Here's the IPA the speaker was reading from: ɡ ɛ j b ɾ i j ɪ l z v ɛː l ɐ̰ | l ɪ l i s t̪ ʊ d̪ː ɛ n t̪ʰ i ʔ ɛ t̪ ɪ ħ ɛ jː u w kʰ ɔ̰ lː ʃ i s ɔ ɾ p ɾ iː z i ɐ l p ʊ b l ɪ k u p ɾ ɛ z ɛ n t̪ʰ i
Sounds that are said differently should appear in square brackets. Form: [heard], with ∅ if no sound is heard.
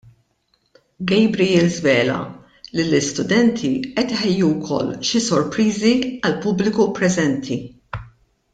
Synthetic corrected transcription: ɡ ɛ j b ɾ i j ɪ l z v ɛː l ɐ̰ | l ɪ l [ɪ] s t̪ ʊ [d̪] ɛ n t̪ʰ i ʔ ɛ t̪ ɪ ħ ɛ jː u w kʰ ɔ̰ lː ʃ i s ɔ ɾ p ɾ iː z i ɐ l p ʊ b l ɪ k u p ɾ ɛ z ɛ n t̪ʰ i